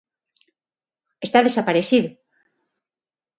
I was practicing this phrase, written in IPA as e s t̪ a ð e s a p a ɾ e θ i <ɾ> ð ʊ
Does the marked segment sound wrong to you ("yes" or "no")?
yes